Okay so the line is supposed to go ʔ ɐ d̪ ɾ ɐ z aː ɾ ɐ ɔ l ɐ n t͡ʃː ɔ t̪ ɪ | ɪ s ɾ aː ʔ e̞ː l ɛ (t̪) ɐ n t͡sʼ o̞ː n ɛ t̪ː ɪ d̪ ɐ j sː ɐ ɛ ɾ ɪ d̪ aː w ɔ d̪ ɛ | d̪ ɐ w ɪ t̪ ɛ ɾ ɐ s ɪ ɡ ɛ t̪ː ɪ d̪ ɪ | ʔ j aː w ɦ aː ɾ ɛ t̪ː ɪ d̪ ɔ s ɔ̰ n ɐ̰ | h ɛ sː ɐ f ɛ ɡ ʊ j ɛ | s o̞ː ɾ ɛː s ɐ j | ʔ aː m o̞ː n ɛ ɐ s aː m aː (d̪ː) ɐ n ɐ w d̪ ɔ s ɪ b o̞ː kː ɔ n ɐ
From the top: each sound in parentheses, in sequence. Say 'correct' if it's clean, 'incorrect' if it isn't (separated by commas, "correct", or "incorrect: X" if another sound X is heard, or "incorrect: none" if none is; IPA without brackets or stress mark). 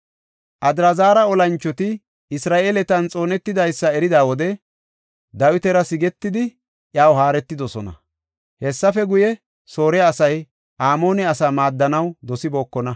correct, correct